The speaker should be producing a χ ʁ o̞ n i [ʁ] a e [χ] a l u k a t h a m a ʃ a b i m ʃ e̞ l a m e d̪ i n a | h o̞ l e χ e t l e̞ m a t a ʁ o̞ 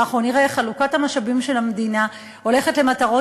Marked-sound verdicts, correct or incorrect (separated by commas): correct, correct